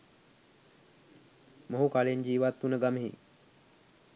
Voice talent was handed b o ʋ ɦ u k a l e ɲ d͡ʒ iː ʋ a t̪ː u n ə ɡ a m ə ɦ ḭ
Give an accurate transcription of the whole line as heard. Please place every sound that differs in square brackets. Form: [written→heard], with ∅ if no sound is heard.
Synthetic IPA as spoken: [b→m] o [ʋ→∅] ɦ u k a l e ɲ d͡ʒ iː ʋ a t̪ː u n ə ɡ a m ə ɦ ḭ